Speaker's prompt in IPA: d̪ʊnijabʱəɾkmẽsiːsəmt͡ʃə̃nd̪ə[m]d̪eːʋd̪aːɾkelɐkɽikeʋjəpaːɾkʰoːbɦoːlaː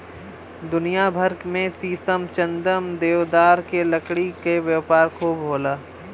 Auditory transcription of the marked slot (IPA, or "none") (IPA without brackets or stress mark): m